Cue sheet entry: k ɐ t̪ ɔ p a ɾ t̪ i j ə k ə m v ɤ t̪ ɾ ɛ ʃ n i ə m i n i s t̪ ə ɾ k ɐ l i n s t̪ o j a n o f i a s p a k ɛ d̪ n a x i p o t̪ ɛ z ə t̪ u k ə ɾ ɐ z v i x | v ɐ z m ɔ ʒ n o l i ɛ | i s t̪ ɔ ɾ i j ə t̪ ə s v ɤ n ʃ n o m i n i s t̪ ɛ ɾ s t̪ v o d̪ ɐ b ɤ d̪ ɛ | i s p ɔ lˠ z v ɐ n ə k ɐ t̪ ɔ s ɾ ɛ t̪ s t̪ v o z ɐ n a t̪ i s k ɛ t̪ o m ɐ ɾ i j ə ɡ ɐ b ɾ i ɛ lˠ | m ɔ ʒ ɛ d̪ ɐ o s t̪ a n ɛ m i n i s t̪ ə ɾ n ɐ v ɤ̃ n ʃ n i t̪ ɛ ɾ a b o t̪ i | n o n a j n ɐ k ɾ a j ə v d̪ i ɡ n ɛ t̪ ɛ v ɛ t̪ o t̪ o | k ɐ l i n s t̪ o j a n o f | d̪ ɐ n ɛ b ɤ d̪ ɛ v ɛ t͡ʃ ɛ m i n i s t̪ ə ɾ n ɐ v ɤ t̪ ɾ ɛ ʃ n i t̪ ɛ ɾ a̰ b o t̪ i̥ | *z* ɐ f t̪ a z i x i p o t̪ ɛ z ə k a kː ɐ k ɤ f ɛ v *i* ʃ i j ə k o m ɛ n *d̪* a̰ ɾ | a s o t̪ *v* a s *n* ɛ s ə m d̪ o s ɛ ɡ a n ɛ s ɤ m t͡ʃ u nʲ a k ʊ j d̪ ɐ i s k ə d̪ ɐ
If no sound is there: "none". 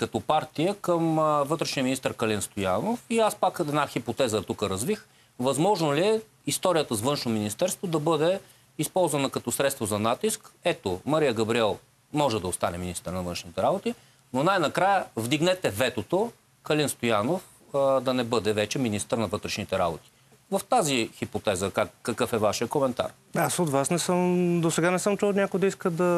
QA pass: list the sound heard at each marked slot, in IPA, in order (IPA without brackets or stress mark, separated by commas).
v, a, t̪, v, n